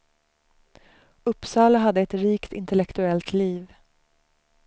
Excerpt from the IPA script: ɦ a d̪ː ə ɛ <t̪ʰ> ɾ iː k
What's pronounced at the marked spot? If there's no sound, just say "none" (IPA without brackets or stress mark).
t̪